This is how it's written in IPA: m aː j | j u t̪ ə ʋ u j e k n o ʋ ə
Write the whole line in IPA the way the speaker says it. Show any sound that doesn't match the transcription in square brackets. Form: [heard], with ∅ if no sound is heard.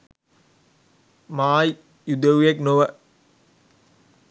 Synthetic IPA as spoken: m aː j | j u [d̪] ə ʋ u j e k n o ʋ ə